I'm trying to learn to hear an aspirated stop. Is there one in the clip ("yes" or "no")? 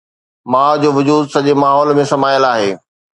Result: no